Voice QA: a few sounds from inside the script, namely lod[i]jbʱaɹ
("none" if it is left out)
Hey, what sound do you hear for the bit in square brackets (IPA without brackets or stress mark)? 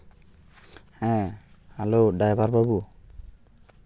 a